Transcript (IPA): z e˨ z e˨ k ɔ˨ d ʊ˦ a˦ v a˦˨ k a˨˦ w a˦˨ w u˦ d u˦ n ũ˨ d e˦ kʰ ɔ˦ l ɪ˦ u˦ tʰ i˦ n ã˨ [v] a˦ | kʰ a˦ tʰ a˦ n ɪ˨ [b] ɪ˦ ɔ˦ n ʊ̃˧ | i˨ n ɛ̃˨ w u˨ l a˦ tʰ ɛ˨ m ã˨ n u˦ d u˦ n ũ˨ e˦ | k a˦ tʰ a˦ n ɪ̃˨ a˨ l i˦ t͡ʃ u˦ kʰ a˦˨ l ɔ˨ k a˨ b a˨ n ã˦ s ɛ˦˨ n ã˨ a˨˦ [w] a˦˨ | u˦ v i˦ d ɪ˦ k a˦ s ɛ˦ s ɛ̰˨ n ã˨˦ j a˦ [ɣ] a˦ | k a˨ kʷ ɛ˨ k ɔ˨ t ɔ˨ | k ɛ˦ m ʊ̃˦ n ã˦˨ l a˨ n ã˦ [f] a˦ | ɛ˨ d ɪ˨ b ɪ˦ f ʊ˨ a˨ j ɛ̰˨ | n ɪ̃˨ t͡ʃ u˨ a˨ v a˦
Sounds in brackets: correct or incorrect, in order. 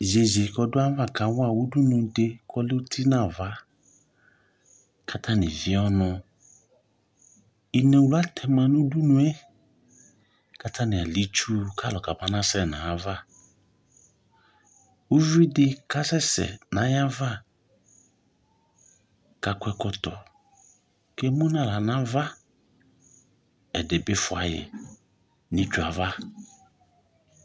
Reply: correct, incorrect, incorrect, incorrect, incorrect

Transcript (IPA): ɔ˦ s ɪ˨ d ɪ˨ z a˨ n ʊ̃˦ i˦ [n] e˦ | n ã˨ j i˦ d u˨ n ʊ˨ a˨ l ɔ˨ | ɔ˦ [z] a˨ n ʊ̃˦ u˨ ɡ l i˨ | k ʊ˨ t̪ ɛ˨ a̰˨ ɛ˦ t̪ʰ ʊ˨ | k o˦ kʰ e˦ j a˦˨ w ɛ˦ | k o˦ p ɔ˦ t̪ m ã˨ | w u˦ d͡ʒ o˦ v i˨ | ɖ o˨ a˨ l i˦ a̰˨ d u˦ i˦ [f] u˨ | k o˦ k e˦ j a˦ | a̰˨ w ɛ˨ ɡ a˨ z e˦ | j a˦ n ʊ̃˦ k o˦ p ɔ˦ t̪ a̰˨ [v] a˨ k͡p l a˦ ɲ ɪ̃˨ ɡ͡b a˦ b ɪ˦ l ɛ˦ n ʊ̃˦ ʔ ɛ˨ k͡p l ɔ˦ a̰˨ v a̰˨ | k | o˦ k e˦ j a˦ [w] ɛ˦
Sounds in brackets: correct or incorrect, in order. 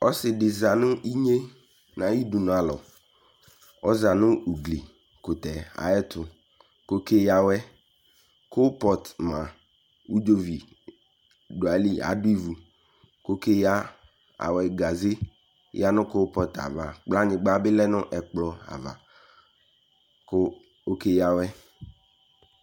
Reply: incorrect, correct, incorrect, correct, correct

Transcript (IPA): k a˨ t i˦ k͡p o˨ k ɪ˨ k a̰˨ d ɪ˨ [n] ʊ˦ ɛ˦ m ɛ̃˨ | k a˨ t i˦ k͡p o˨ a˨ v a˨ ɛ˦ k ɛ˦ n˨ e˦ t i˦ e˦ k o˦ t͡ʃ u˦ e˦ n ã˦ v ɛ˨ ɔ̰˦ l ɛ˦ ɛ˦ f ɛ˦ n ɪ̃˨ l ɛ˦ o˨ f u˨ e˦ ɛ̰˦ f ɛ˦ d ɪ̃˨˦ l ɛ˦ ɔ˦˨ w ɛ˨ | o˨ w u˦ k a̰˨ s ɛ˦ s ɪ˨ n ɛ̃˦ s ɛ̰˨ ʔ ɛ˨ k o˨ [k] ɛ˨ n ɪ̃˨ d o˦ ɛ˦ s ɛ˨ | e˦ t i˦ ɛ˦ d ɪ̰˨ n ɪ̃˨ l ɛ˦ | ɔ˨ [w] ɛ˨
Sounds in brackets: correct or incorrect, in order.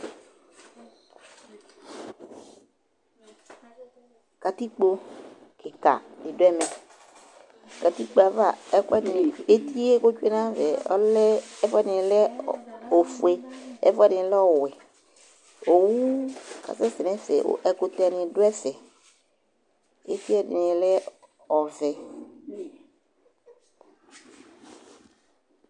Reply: incorrect, incorrect, incorrect

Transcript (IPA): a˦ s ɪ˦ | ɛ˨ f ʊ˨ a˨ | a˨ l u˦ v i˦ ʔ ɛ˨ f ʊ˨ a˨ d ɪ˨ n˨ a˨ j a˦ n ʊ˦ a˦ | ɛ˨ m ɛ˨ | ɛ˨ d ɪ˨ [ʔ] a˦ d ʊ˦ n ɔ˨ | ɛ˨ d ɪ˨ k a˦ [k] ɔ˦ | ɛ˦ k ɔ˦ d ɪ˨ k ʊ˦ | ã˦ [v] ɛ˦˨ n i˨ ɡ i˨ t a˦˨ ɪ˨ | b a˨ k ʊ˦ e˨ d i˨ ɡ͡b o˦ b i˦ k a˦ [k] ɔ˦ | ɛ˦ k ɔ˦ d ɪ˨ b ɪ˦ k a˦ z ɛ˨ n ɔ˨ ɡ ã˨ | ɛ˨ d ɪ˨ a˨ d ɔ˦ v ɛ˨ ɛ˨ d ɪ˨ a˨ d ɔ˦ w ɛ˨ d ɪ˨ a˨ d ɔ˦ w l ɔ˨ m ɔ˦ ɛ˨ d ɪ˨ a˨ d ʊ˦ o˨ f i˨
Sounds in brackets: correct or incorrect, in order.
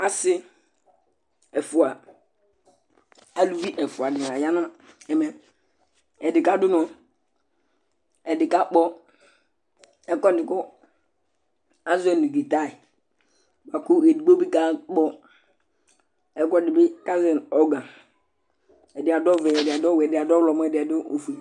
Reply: incorrect, incorrect, incorrect, incorrect

